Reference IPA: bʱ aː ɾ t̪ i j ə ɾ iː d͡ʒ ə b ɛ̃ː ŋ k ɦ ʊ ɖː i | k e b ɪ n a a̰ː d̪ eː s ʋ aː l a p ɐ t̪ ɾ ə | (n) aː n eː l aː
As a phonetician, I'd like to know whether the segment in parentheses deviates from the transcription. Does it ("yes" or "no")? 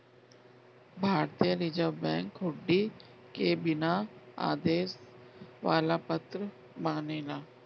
yes